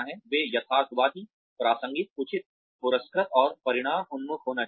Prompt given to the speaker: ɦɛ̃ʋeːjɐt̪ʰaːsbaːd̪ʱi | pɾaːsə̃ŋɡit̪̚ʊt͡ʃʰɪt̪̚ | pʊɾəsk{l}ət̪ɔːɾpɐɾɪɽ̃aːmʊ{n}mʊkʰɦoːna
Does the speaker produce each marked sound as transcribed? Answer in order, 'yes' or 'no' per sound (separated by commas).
no, yes